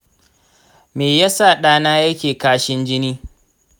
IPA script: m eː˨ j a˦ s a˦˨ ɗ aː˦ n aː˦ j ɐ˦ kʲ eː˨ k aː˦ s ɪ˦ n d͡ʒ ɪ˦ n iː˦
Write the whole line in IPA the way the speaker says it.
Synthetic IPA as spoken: m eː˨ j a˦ s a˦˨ ɗ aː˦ n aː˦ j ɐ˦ kʲ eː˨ k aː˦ ʃ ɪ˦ n d͡ʒ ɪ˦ n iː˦